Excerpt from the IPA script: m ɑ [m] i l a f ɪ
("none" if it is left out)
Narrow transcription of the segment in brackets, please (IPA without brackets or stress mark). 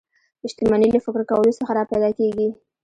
n